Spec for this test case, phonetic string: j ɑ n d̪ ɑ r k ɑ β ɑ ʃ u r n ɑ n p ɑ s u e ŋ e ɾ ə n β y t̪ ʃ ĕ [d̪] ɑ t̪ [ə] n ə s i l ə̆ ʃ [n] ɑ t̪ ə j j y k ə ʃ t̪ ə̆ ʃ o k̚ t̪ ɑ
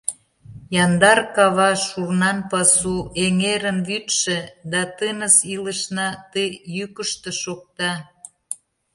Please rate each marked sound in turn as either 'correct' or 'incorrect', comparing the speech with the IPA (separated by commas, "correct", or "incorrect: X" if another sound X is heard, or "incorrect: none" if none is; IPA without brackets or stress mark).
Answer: correct, correct, correct